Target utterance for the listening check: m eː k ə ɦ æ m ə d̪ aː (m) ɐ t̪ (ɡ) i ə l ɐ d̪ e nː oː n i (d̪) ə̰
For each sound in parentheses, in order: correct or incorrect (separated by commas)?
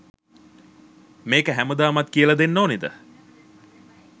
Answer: correct, incorrect, correct